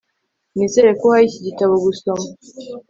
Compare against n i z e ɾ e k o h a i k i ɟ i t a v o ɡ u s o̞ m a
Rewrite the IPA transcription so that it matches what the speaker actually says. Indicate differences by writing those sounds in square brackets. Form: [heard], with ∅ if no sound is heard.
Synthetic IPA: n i z e ɾ e k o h a i [c] i ɟ i t a [β] o ɡ u s o̞ m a